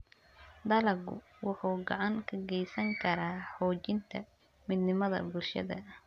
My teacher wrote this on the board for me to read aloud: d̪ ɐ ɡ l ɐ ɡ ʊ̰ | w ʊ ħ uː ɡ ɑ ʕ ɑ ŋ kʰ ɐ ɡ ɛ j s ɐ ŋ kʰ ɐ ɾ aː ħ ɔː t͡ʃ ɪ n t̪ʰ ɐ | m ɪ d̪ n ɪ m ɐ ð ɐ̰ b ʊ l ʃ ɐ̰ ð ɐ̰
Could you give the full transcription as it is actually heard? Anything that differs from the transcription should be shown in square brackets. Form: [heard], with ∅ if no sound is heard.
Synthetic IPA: d̪ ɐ [∅] l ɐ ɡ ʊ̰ | w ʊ ħ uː ɡ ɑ ʕ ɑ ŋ kʰ ɐ ɡ ɛ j s ɐ ŋ kʰ ɐ ɾ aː ħ ɔː t͡ʃ ɪ n t̪ʰ ɐ | m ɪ d̪ n ɪ m ɐ ð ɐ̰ b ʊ l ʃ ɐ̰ ð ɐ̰